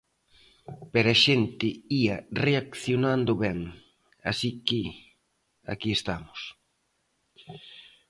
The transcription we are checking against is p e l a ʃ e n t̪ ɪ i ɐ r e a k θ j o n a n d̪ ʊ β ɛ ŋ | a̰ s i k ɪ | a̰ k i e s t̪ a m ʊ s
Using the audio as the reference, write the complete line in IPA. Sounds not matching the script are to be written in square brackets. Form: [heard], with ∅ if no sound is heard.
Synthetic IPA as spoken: p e [ɾ] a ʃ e n t̪ ɪ i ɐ r e a k θ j o n a n d̪ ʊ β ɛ ŋ | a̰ s i k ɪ | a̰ k i e s t̪ a m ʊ s